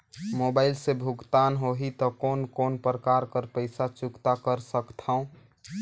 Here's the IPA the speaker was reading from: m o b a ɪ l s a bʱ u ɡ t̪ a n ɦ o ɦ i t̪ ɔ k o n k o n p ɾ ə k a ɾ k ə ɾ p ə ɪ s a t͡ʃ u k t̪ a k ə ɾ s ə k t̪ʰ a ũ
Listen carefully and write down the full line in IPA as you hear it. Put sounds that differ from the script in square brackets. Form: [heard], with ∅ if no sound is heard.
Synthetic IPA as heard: m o b a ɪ l s [e] bʱ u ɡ t̪ a n ɦ o ɦ i t̪ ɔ k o n k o n p ɾ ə k a ɾ k ə ɾ p ə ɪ s a t͡ʃ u k t̪ a k ə ɾ s ə k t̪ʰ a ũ